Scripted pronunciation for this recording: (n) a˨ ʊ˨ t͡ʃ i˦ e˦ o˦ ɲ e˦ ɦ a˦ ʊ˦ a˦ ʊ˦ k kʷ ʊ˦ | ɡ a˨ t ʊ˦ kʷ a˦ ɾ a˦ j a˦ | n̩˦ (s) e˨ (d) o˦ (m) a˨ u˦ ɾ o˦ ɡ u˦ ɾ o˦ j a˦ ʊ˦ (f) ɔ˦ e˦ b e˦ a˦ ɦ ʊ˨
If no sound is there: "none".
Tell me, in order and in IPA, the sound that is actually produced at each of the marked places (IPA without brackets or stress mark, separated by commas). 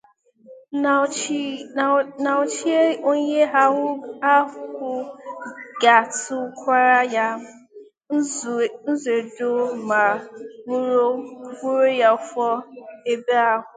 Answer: n, z, d, m, f